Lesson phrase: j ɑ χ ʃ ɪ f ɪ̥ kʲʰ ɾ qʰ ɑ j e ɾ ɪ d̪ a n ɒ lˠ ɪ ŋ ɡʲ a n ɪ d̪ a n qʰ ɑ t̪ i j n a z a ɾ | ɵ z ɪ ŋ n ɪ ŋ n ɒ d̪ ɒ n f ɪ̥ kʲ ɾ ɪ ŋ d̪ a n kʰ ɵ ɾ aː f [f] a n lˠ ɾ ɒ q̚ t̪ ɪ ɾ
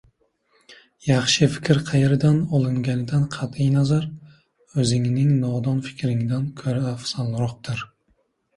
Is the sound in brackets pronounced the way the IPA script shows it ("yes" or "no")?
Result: no